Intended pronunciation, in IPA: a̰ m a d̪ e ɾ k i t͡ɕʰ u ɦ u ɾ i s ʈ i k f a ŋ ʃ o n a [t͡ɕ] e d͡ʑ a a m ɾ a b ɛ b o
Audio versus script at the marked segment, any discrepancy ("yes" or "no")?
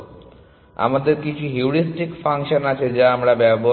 yes